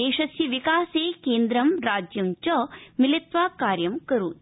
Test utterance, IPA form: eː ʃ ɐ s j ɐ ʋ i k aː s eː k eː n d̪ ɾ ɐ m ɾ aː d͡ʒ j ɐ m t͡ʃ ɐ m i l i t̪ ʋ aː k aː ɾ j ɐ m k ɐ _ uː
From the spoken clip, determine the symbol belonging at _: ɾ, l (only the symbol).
ɾ